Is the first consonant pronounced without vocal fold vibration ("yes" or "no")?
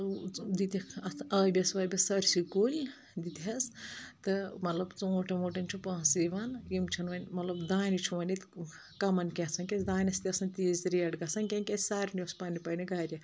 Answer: no